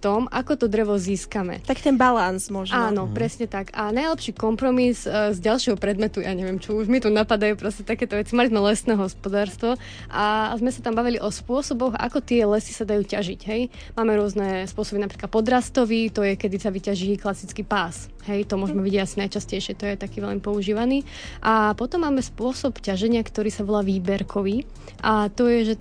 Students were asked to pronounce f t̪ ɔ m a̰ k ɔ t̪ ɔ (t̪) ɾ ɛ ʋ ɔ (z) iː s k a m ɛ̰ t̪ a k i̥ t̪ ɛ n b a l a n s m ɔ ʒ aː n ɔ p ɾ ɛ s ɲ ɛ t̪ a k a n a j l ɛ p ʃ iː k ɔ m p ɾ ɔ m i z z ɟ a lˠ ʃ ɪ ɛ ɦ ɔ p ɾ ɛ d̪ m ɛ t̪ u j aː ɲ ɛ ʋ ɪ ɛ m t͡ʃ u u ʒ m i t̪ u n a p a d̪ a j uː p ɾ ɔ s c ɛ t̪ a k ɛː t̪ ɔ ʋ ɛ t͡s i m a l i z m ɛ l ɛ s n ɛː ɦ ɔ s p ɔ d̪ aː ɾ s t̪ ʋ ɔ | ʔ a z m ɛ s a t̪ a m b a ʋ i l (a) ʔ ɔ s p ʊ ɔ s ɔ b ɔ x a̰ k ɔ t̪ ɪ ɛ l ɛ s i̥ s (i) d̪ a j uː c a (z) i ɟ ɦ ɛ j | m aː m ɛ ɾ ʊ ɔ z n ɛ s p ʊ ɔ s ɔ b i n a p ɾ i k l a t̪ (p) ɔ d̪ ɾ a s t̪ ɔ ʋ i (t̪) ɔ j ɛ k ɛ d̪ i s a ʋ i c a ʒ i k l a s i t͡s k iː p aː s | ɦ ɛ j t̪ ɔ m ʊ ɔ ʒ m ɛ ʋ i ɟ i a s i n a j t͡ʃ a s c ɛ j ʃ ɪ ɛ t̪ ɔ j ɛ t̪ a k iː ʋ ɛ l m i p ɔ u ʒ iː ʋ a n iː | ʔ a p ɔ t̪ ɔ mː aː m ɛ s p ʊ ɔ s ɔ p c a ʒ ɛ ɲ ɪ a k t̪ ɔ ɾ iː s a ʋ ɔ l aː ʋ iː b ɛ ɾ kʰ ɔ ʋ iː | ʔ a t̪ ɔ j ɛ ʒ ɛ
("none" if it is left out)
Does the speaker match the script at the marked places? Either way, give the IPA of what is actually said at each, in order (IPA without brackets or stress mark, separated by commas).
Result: d̪, z, i, a, ʒ, p, t̪